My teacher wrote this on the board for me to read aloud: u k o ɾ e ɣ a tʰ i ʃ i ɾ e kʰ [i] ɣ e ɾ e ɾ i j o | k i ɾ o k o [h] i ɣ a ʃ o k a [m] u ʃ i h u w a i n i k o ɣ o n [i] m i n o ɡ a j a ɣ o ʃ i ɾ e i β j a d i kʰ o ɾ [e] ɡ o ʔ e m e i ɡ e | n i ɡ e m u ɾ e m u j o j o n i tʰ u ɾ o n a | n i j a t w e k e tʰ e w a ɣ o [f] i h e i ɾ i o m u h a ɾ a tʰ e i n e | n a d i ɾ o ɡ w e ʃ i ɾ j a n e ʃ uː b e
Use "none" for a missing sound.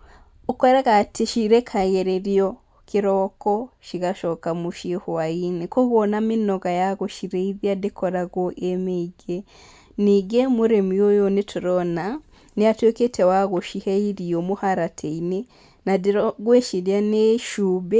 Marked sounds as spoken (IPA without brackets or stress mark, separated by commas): a, ʃ, m, a, a, ʃ